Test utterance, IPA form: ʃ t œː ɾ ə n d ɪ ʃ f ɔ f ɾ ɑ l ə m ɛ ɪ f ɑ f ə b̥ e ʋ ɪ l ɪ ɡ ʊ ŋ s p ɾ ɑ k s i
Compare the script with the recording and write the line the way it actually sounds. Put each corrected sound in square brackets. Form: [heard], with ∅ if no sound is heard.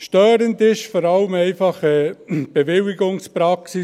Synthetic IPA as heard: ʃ t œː ɾ ə n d ɪ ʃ f ɔ [∅] ɾ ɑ l ə m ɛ ɪ f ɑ [χ] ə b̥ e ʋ ɪ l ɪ ɡ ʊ ŋ s p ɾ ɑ k s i